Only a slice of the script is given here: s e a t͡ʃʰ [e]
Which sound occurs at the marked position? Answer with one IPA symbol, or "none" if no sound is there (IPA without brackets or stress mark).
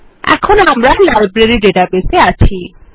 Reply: i